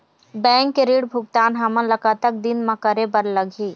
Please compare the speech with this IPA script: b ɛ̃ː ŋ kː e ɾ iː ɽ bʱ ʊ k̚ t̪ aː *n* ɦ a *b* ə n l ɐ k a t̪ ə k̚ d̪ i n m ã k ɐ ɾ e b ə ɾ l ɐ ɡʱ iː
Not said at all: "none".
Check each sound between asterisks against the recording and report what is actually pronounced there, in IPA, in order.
n, m

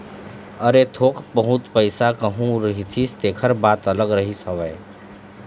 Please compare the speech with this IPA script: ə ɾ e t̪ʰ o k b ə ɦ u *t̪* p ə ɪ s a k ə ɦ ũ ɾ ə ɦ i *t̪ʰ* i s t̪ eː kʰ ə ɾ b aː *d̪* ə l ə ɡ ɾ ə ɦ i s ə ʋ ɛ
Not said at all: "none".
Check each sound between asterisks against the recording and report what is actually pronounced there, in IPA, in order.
t̪, t̪ʰ, t̪

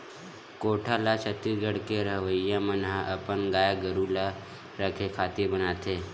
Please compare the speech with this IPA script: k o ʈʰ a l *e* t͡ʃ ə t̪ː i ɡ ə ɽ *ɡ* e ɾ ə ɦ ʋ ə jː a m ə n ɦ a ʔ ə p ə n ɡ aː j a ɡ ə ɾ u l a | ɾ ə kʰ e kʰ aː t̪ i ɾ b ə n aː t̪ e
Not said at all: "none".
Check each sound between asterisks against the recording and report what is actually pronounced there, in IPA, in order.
a, k

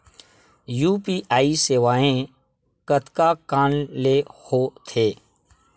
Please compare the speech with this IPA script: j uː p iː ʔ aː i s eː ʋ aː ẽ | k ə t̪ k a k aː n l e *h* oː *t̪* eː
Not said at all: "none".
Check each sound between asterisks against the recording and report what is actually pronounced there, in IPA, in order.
h, t̪ʰ

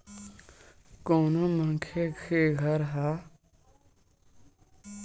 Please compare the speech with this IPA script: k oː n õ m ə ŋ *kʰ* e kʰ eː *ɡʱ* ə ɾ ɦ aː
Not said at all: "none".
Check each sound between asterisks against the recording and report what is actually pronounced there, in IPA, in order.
kʰ, ɡʱ

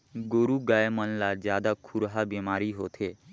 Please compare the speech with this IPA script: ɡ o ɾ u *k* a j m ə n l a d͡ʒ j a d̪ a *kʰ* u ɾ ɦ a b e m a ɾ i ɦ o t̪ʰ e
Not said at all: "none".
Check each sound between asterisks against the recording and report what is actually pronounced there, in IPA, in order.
ɡ, kʰ

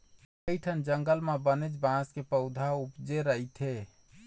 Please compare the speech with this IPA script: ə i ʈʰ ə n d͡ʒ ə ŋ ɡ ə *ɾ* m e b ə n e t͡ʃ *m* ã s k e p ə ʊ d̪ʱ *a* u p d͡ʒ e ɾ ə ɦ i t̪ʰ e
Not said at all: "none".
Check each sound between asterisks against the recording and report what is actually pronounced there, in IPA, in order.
l, b, a

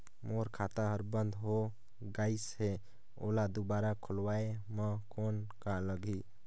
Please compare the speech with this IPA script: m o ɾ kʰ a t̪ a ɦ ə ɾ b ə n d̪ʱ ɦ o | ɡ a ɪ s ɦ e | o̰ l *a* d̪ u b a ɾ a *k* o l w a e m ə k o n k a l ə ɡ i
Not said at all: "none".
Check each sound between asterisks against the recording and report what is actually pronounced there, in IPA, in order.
a, kʰ

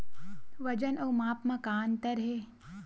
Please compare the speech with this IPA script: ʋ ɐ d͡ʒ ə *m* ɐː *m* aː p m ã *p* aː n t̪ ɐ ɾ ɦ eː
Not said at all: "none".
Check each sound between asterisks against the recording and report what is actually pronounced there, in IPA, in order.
n, m, k

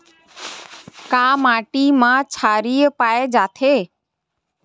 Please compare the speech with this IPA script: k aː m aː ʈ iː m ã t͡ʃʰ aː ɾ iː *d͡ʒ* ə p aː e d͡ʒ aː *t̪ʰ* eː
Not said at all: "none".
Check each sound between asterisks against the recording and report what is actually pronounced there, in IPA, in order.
none, t̪ʰ

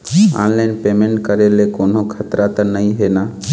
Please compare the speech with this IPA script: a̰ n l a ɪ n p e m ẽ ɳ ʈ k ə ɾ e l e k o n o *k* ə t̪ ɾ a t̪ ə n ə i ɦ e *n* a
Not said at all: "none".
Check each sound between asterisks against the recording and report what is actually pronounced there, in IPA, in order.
kʰ, n

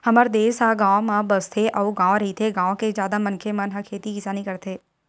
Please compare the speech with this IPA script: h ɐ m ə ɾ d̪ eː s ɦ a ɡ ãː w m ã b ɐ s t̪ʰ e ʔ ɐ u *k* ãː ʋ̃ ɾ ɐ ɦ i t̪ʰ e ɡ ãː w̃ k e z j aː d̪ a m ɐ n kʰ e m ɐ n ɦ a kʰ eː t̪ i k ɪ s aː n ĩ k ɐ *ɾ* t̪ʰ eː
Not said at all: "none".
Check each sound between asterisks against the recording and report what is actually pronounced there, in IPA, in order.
ɡ, ɾ

